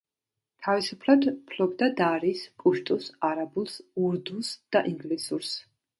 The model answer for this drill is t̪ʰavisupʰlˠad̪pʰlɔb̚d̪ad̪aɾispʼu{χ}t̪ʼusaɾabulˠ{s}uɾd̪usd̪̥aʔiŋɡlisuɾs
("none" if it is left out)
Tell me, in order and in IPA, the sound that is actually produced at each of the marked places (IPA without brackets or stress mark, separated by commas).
ʃ, s